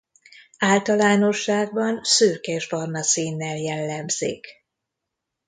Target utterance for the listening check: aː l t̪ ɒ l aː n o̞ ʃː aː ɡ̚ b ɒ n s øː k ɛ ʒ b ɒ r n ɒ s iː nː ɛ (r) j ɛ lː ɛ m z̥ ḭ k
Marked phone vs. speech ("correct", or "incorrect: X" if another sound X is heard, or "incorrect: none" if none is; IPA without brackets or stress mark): incorrect: l